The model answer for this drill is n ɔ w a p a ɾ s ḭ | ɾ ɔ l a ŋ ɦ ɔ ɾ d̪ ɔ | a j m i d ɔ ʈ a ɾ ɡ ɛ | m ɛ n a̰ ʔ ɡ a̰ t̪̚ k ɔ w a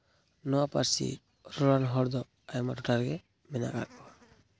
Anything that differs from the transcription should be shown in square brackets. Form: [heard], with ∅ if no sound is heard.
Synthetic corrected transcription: n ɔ w a p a ɾ s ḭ | ɾ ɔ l a [n] ɦ ɔ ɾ d̪ ɔ | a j m [a] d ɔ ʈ a ɾ ɡ ɛ | m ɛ n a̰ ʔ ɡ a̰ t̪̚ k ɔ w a

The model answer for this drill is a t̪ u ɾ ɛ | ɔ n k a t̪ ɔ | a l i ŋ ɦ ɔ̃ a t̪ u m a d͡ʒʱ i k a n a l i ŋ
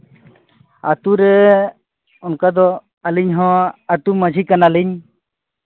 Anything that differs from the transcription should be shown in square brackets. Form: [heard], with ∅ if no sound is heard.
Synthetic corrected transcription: a t̪ u ɾ ɛ | ɔ n k a [d̪] ɔ | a l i [ɲ] ɦ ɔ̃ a t̪ u m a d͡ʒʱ i k a n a l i [ɲ]

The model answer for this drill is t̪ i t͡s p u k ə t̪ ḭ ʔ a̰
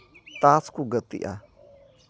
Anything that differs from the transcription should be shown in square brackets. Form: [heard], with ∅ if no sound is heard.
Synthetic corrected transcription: t̪ [a] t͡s [k] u [ɡ] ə t̪ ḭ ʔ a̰

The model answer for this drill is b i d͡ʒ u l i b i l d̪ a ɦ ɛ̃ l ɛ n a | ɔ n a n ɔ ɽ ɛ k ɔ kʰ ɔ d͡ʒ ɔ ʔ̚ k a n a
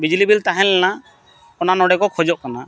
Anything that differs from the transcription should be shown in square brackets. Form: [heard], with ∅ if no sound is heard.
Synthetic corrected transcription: b i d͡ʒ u l i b i l [t̪] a ɦ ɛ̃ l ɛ n a | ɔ n a n ɔ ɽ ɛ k ɔ kʰ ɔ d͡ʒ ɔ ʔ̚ k a n a

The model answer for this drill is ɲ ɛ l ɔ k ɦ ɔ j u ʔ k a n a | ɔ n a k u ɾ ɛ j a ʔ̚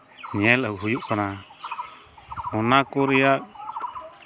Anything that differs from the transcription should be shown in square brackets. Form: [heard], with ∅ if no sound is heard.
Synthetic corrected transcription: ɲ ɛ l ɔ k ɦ [u] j u ʔ k a n a | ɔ n a k [ɔ] ɾ ɛ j a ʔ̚

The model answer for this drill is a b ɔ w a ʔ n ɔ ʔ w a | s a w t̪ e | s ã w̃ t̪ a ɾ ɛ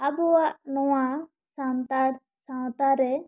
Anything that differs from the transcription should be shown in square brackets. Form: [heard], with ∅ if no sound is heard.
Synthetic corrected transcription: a b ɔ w a ʔ n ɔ [∅] w a | s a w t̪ [a] | s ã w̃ t̪ a ɾ ɛ

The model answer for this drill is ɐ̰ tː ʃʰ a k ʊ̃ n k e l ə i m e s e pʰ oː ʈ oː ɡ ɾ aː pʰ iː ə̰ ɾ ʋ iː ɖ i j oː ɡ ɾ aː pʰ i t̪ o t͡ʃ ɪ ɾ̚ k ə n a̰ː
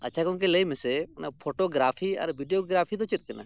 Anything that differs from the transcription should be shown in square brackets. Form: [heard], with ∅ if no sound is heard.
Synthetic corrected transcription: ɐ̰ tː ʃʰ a k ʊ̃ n k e l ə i m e s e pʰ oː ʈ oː ɡ ɾ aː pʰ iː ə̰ ɾ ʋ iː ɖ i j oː ɡ ɾ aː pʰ i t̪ o t͡ʃ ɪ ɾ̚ k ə n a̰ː

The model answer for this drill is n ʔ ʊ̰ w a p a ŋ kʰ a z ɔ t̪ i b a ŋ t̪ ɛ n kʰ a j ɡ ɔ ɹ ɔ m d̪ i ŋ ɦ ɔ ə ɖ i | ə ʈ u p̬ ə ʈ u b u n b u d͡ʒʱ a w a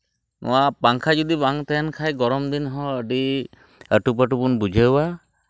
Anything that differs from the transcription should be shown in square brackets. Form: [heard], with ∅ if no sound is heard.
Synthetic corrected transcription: n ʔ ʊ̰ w a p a ŋ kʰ a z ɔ [d̪] i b a ŋ t̪ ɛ n kʰ a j ɡ ɔ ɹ ɔ m d̪ i [n] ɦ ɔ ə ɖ i | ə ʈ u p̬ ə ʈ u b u n b u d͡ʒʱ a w a

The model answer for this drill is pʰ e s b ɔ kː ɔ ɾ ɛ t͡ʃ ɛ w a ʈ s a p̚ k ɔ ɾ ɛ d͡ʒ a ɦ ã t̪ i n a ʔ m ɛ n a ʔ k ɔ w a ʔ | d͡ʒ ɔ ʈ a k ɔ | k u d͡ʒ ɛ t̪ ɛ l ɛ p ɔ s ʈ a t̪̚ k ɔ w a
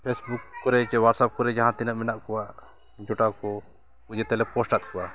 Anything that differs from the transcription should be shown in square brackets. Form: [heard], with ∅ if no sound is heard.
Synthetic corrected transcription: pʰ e s b [u] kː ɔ ɾ ɛ t͡ʃ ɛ w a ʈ s a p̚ k ɔ ɾ ɛ d͡ʒ a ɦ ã t̪ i n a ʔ m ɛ n a ʔ k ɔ w a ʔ | d͡ʒ ɔ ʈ a k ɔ | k u d͡ʒ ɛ t̪ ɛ l ɛ p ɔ s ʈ a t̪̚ k ɔ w a

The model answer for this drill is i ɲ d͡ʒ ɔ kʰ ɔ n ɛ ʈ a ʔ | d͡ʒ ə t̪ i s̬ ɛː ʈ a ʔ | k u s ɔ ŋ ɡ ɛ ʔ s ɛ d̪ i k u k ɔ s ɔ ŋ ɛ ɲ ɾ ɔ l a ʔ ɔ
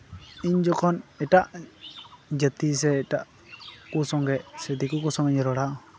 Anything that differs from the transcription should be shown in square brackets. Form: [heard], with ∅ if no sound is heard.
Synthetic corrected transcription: i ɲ d͡ʒ ɔ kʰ ɔ n ɛ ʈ a ʔ | d͡ʒ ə t̪ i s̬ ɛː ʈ a ʔ | k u s ɔ ŋ ɡ ɛ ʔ s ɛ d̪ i k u k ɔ s ɔ ŋ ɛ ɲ ɾ ɔ [ɽ] a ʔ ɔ

